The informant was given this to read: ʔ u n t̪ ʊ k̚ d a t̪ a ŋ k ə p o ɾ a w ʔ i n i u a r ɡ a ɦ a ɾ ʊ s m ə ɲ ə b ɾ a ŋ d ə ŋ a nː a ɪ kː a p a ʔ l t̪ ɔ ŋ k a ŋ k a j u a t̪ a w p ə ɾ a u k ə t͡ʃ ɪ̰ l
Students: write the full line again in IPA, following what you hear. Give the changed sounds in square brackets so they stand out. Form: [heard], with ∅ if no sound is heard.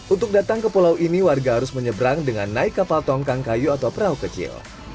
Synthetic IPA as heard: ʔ u n t̪ ʊ k̚ d a t̪ a ŋ k ə p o [l] a w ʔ i n i [w] a r ɡ a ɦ a ɾ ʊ s m ə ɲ ə b ɾ a ŋ d ə ŋ a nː a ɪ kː a p a [∅] l t̪ ɔ ŋ k a ŋ k a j u a t̪ a w p ə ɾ a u k ə t͡ʃ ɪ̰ l